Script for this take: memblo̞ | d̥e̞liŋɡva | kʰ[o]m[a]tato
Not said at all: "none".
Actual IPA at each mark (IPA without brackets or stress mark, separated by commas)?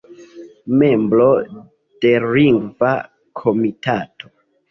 o, i